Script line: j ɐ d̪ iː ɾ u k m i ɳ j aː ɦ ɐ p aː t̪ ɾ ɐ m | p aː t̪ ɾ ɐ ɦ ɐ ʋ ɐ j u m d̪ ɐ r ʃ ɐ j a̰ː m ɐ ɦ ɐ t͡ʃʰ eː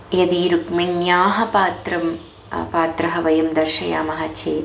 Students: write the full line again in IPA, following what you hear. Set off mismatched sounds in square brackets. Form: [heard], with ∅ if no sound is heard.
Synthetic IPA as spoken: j ɐ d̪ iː ɾ u k m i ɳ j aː ɦ ɐ p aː t̪ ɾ ɐ m | p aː t̪ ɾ ɐ ɦ ɐ ʋ ɐ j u m d̪ ɐ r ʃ ɐ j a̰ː m ɐ ɦ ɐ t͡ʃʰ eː